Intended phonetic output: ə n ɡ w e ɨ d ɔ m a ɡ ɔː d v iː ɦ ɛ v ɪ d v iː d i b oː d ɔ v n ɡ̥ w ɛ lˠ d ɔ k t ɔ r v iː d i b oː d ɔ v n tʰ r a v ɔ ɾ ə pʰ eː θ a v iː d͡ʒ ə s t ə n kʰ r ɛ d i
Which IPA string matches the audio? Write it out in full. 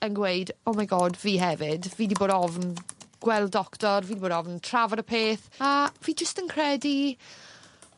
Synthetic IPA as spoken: ə n ɡ w e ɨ d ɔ m a ɡ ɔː d v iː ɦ ɛ v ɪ d v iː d i b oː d ɔ v n ɡ̥ w ɛ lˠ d ɔ k t ɔ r v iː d i b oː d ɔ v n tʰ r a v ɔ ɾ ə pʰ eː θ a v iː d͡ʒ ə s t ə n kʰ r ɛ d i